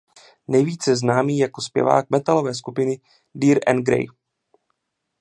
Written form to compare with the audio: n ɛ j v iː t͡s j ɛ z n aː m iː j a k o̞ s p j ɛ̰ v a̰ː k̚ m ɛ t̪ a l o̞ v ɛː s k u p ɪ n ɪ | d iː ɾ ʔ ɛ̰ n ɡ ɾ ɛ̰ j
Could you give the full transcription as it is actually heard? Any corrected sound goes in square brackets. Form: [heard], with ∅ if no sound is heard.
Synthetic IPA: n ɛ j v iː t͡s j ɛ z n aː m iː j a k o̞ s p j ɛ̰ v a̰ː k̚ m ɛ t̪ a l o̞ v ɛː s k u p ɪ n ɪ | d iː ɾ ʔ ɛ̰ n ɡ ɾ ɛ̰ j